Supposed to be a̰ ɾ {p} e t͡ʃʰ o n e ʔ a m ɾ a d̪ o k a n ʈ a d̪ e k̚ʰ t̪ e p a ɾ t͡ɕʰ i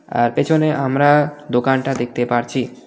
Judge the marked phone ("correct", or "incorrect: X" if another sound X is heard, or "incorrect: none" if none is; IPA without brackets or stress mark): correct